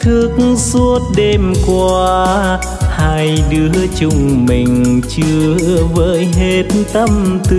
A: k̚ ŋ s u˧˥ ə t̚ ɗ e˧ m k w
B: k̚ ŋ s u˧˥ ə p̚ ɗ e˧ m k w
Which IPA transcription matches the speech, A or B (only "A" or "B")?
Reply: A